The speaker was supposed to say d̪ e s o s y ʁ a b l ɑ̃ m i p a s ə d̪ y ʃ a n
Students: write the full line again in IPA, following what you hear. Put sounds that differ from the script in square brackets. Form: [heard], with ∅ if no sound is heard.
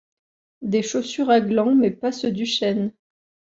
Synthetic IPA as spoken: d̪ e [ʃ] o s y ʁ a [ɡ] l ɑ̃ m [ɛ] p a s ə d̪ y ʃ [ɛ] n